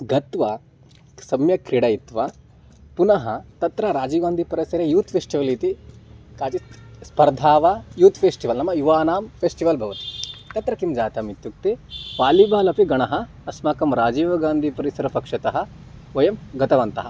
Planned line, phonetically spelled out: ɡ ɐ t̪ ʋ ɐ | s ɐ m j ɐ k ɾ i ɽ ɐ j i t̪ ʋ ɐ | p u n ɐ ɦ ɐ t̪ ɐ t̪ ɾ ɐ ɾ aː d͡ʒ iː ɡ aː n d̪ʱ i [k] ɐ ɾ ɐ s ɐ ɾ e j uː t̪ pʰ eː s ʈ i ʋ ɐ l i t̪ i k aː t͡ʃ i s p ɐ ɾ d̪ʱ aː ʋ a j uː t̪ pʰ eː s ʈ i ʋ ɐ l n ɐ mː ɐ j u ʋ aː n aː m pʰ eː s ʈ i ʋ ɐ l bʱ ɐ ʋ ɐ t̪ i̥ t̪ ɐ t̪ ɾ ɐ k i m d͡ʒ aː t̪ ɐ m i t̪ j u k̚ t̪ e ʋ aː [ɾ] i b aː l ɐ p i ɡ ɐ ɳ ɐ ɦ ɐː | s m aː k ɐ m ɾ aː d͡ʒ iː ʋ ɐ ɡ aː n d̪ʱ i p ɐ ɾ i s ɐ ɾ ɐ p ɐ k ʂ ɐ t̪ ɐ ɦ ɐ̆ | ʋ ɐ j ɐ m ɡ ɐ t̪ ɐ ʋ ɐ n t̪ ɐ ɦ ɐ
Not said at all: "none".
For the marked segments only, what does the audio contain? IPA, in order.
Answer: p, l

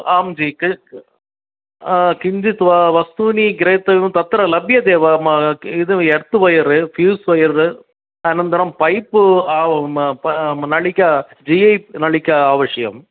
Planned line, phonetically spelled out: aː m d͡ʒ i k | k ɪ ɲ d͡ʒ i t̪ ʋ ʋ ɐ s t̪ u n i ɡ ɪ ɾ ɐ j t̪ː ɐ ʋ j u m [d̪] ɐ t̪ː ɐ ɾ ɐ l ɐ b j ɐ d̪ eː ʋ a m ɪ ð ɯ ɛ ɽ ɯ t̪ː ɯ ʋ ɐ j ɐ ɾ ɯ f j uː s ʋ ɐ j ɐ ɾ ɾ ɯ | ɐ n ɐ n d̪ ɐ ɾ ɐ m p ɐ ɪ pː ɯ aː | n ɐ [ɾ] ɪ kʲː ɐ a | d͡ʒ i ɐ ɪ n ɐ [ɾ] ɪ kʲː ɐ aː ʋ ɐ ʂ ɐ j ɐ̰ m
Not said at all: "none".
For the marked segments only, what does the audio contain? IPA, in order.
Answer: t̪, ɭ, ɭ

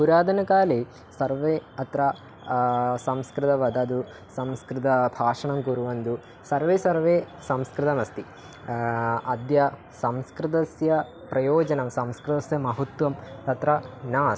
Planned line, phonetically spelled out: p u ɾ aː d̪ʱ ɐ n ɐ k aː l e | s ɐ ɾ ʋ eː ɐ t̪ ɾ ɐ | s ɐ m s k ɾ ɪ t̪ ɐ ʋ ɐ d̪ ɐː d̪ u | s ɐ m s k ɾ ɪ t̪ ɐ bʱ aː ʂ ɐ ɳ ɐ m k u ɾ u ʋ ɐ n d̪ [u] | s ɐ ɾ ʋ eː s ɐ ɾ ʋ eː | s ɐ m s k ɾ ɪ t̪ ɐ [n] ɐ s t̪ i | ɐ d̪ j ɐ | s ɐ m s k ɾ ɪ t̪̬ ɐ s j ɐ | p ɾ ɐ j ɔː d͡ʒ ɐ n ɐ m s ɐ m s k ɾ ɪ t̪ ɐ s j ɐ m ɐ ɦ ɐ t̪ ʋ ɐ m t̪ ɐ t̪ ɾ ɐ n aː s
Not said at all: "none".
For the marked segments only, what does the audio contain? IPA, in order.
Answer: u, m

